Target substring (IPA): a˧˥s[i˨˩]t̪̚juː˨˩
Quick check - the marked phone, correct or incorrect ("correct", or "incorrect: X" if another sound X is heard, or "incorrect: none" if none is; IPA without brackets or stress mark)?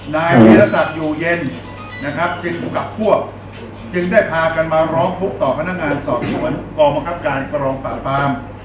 incorrect: a˨˩